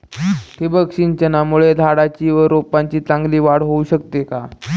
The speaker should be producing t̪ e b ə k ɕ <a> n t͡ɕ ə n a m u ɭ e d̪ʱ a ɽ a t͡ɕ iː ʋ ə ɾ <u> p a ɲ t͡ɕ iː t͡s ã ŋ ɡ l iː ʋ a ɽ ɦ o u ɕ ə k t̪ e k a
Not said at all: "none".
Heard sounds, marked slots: i, o

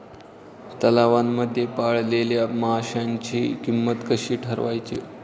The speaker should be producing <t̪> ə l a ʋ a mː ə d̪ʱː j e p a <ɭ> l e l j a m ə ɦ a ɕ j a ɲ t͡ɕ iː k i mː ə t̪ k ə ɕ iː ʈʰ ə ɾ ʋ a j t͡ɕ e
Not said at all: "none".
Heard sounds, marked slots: t̪, ɭ

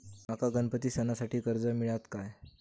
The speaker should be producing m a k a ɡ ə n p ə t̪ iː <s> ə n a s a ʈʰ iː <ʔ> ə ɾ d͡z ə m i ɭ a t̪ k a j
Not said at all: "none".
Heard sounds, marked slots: s, k

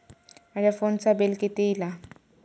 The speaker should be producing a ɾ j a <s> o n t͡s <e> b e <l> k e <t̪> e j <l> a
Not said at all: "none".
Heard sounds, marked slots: f, a, l, t̪, l

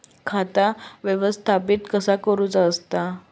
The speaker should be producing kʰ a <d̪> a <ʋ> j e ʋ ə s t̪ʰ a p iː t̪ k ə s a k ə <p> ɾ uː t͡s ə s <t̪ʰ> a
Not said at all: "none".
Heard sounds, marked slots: t̪, ʋ, none, t̪

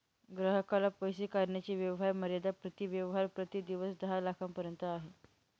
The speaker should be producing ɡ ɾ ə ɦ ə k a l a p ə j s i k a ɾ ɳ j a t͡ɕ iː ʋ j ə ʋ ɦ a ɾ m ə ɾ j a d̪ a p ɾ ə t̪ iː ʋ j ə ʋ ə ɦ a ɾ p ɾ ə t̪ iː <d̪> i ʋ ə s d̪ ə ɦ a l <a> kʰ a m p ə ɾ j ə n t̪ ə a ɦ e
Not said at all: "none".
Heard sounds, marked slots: d̪, a

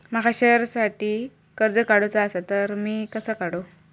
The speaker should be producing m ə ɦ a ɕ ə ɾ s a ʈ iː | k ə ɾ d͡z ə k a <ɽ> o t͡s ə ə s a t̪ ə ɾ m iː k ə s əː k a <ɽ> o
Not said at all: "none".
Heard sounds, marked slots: ɽ, ɽ

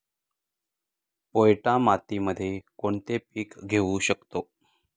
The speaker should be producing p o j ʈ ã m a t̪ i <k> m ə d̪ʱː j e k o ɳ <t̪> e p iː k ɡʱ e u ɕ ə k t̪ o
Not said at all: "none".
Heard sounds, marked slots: none, t̪

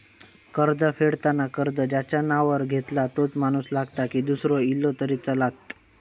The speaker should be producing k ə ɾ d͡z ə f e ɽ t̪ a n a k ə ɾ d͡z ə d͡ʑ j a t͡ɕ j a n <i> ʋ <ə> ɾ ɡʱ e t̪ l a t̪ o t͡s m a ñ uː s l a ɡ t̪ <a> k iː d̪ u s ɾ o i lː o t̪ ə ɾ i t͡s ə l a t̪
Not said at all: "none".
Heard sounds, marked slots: a, ə, a

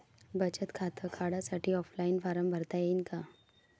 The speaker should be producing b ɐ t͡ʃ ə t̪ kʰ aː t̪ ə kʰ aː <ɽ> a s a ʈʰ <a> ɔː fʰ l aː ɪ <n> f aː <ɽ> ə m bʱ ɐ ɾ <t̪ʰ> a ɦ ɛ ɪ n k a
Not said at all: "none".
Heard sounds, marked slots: ɽ, i, n, ɾ, t̪

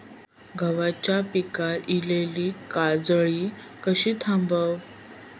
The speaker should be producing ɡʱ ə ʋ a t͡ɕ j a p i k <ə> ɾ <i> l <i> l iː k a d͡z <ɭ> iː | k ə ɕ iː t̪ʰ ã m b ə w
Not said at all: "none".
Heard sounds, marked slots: a, i, e, ɭ

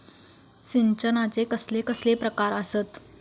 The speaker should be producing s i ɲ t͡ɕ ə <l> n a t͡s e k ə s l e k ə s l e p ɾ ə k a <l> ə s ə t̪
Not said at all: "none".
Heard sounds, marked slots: none, ɾ

